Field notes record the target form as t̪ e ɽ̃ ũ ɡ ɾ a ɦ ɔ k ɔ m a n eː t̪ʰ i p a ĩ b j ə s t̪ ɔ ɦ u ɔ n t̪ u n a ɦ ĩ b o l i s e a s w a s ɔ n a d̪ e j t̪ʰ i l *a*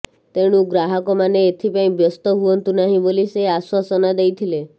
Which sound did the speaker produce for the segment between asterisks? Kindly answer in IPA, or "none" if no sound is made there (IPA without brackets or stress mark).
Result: e